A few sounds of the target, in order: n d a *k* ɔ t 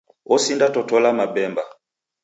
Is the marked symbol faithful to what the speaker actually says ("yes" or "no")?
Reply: no